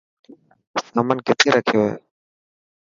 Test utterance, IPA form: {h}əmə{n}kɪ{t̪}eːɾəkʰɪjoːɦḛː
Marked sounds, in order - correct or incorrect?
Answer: incorrect, correct, incorrect

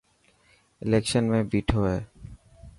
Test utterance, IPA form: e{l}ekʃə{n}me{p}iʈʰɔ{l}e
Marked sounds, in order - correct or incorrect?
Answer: correct, correct, incorrect, incorrect

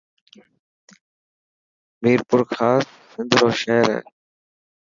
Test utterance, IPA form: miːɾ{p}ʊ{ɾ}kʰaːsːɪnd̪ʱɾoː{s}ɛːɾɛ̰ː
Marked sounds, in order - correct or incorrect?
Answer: correct, correct, incorrect

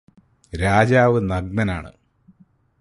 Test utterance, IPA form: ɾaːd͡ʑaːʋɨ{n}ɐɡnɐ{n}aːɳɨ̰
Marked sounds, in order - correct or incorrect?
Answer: correct, correct

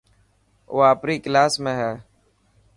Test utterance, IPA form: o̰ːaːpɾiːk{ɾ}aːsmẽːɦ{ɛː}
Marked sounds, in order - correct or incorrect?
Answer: incorrect, correct

